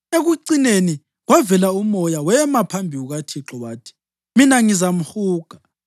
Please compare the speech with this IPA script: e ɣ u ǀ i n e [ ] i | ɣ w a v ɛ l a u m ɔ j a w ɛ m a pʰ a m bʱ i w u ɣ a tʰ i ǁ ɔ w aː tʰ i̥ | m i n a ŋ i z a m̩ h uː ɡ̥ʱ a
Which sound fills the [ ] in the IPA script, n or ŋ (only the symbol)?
n